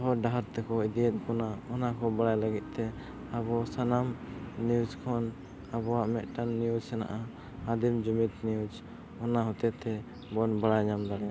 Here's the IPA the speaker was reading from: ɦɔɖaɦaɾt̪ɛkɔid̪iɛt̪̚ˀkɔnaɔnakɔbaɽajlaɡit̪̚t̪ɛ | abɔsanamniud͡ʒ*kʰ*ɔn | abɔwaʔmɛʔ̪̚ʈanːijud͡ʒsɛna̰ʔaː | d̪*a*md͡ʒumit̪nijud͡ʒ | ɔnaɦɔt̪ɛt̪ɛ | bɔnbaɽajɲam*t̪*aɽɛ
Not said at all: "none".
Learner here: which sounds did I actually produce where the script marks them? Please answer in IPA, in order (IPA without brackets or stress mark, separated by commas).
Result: kʰ, i, d̪